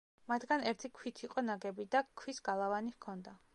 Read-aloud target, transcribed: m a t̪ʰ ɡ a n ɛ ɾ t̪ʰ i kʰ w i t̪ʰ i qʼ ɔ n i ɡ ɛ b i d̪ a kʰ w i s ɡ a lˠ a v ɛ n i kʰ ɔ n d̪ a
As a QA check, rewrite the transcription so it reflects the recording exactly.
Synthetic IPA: m a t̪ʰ ɡ a n ɛ ɾ t̪ʰ i kʰ w i t̪ʰ i qʼ ɔ n a ɡ ɛ b i d̪ a kʰ w i s ɡ a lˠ a v a n i kʰ ɔ n d̪ a